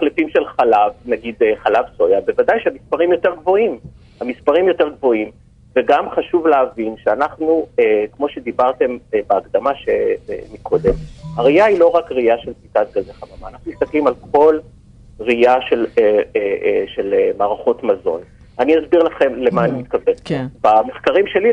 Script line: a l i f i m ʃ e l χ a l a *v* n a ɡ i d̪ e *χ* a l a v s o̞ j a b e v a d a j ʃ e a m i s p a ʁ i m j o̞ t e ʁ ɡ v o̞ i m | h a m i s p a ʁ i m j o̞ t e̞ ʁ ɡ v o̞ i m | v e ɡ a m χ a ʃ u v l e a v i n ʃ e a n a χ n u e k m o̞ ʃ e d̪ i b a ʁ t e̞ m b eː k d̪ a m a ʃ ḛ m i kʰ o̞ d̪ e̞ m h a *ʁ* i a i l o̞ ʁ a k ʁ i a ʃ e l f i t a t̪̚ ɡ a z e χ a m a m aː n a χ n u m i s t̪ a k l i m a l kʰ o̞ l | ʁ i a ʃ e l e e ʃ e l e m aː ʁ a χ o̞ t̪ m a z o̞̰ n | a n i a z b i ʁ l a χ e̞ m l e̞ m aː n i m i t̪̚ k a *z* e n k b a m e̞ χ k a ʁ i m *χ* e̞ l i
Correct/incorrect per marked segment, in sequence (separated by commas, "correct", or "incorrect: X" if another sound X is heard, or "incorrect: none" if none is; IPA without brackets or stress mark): correct, correct, correct, incorrect: v, incorrect: ʃ